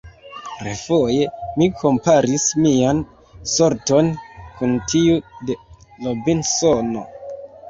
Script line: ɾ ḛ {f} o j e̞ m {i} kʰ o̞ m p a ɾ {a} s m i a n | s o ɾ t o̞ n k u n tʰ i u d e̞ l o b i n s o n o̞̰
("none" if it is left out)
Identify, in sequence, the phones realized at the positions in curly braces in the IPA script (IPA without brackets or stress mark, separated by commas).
f, i, i